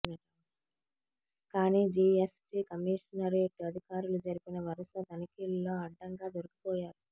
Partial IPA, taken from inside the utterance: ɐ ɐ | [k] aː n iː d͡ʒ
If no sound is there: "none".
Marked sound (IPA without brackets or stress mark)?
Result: k